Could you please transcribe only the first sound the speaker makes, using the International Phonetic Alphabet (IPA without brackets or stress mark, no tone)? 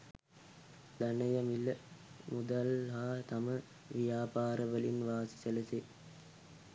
d̪